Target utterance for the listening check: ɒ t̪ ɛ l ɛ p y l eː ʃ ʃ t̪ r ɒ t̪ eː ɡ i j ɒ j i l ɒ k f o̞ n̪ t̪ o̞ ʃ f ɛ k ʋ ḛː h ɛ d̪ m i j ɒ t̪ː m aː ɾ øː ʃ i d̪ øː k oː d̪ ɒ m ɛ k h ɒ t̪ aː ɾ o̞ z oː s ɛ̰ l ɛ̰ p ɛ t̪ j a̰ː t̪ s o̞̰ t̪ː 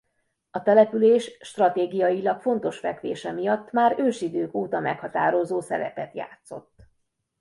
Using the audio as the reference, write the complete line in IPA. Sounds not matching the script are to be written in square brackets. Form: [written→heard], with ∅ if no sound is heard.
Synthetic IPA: ɒ t̪ ɛ l ɛ p y l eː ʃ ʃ t̪ r ɒ t̪ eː ɡ i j ɒ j i l ɒ k f o̞ n̪ t̪ o̞ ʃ f ɛ k ʋ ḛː [h→ʃ] ɛ [d̪→∅] m i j ɒ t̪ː m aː ɾ øː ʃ i d̪ øː k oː [d̪→t̪] ɒ m ɛ k h ɒ t̪ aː ɾ o̞ z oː s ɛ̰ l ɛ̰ p ɛ t̪ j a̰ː t̪ s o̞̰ t̪ː